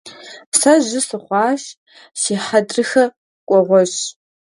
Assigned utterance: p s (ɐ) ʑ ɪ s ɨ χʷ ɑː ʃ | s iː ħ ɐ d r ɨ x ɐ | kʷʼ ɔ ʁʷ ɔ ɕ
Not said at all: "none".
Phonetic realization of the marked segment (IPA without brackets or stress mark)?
ɐ